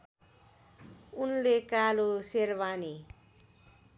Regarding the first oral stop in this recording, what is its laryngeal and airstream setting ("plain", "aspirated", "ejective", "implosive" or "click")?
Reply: plain